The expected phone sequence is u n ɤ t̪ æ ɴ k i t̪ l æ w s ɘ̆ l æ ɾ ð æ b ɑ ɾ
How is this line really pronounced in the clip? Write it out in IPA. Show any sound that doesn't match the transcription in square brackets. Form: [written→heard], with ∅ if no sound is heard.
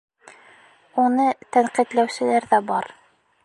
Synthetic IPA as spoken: u n ɤ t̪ æ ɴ [k→q] i t̪ l æ w s ɘ̆ l æ ɾ ð æ b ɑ ɾ